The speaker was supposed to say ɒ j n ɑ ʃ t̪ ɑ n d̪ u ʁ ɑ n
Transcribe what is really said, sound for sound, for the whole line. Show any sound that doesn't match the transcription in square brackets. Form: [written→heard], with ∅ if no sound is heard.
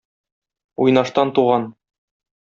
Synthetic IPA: [ɒ→u] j n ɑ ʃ t̪ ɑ n [d̪→t̪] u ʁ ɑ n